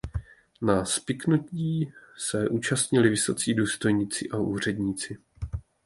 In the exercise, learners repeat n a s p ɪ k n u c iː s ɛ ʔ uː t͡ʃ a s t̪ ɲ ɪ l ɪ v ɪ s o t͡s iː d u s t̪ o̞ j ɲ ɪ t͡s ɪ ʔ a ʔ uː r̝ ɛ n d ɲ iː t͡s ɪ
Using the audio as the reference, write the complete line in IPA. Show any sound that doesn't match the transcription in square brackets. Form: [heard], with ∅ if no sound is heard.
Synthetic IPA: n a s p ɪ k n u c iː s ɛ ʔ uː t͡ʃ a s t̪ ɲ ɪ l ɪ v ɪ s o t͡s iː d [uː] s t̪ o̞ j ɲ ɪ t͡s ɪ ʔ a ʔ uː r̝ ɛ [∅] d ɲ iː t͡s ɪ